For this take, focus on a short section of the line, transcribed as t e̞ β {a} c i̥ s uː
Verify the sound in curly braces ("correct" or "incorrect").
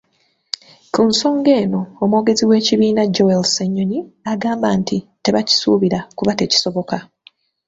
correct